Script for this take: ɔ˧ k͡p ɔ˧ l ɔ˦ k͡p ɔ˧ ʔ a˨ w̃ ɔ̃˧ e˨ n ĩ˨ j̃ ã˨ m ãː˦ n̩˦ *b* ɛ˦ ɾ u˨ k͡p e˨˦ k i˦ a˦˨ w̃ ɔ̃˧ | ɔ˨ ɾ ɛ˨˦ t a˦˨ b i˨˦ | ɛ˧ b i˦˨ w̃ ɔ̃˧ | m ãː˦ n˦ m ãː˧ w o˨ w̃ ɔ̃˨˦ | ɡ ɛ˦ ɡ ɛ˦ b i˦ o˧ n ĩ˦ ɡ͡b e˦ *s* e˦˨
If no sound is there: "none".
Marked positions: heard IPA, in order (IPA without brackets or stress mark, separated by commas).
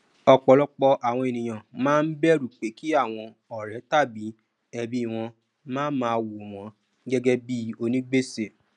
b, s